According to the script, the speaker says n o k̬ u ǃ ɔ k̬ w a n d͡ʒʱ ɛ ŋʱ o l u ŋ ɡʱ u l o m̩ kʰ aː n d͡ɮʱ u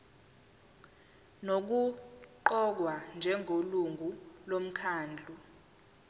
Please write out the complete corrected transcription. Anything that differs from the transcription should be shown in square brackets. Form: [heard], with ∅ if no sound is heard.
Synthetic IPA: n o k̬ u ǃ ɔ k̬ w a n d͡ʒʱ ɛ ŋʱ o l u ŋ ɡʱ u l o m̩ kʰ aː n d͡ɮʱ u